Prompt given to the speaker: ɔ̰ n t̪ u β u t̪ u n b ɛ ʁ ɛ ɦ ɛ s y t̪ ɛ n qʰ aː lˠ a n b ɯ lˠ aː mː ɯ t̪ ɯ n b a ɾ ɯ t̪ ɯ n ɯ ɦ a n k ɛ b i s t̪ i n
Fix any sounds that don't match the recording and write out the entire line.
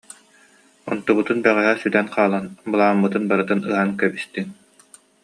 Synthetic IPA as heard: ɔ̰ n t̪ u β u t̪ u n b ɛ ʁ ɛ ɦ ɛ s y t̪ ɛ n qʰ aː lˠ a n b ɯ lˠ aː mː ɯ t̪ ɯ n b a ɾ ɯ t̪ ɯ n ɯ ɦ a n k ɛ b i s t̪ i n